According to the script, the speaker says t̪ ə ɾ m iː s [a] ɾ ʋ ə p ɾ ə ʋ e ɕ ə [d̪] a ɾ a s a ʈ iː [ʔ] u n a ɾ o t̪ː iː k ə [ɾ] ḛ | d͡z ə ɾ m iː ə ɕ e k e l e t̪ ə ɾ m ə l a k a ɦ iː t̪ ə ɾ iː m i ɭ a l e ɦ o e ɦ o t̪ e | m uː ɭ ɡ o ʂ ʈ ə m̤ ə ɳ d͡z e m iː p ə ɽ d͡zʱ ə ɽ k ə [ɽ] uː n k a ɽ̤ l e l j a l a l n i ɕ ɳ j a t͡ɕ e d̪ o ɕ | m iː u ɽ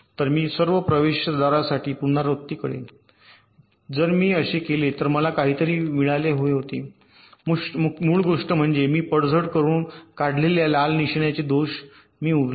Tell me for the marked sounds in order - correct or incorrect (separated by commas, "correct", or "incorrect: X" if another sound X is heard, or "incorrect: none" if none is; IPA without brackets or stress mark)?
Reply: incorrect: ə, correct, incorrect: p, incorrect: ɽ, incorrect: ɾ